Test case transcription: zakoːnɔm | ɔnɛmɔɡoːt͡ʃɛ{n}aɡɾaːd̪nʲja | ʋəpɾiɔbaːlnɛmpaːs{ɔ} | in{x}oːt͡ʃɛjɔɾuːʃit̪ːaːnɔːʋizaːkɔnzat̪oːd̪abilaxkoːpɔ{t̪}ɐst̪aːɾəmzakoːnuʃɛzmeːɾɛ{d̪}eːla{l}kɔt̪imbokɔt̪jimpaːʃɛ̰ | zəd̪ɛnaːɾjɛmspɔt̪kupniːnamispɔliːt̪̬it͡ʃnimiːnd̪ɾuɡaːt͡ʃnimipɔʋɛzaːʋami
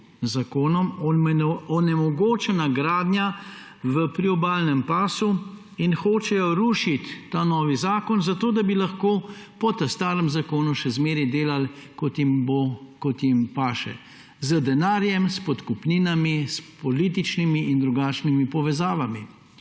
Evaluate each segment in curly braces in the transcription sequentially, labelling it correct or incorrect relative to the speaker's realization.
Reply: correct, incorrect: u, correct, correct, correct, correct

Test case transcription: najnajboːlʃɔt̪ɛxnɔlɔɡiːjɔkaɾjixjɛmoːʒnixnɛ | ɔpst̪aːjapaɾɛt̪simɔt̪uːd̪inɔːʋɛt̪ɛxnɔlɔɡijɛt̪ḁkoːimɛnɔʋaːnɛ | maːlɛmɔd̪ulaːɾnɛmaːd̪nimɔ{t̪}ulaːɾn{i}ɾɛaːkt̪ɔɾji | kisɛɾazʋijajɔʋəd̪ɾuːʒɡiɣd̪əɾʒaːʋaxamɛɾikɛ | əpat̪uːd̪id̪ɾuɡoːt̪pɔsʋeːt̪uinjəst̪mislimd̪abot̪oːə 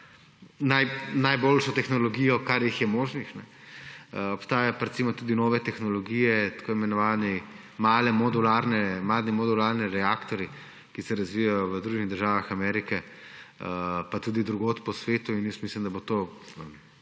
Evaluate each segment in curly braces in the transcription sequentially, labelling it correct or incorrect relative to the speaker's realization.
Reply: incorrect: d̪, correct

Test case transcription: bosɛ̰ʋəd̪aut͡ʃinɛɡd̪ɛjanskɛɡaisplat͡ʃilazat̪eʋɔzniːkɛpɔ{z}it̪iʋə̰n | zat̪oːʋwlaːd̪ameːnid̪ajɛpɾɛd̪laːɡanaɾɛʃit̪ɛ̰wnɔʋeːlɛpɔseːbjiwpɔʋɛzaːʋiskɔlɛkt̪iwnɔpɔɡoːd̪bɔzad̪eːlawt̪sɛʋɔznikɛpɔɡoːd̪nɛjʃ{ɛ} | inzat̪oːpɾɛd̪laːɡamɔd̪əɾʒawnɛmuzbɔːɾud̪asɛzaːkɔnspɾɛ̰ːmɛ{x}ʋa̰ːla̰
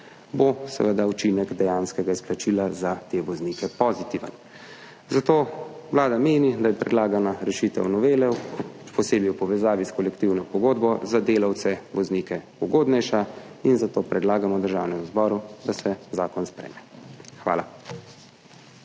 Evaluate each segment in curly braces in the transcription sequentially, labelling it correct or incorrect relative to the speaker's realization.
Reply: correct, incorrect: a, correct

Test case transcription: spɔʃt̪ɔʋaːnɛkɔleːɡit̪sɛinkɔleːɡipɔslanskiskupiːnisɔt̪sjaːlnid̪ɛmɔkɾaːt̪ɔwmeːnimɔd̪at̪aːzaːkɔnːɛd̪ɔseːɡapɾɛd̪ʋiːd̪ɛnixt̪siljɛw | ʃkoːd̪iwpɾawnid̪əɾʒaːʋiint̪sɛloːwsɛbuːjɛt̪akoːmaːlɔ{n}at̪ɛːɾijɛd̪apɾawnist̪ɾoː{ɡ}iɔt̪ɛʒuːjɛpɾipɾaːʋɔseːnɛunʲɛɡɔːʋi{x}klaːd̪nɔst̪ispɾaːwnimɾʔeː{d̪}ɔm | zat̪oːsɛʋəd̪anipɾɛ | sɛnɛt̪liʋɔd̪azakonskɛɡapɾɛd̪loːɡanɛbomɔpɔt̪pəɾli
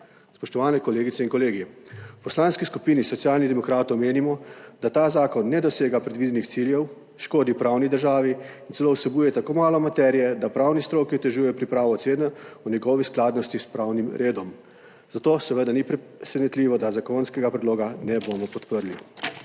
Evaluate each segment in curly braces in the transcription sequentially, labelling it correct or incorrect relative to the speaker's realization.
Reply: incorrect: m, incorrect: k, incorrect: s, correct

